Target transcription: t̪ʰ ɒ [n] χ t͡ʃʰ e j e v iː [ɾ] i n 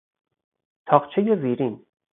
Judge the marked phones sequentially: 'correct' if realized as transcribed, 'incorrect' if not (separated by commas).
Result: incorrect, correct